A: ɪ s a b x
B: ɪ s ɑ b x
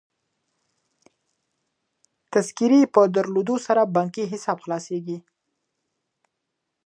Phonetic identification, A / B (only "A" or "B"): B